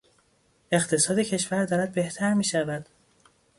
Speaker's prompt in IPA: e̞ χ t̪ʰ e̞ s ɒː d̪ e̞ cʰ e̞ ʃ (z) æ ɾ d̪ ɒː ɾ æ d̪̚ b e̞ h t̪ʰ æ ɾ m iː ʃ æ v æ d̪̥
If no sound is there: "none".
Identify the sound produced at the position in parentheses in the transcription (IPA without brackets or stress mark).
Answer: v